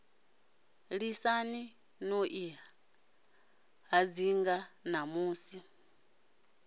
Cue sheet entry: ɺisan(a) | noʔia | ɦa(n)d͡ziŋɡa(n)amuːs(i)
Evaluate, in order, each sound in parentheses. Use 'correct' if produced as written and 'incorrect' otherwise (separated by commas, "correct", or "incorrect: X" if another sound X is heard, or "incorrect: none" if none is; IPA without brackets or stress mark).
incorrect: i, incorrect: none, correct, correct